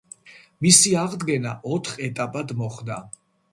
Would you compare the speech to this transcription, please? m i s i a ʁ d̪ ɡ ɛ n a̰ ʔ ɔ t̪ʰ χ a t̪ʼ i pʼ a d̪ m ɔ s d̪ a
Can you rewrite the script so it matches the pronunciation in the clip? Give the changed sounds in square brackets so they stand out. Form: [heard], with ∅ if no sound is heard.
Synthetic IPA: m i s i a ʁ d̪ ɡ ɛ n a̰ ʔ ɔ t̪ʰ χ [ɛ] t̪ʼ [a] pʼ a d̪ m ɔ [χ] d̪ a